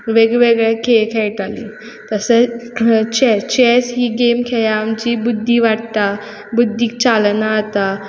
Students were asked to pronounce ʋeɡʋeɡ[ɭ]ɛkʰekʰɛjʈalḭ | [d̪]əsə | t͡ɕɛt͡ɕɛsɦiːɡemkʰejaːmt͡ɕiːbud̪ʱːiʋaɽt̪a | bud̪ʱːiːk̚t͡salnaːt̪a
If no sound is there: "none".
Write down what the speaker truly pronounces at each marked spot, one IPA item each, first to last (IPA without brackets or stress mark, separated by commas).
ɭ, t̪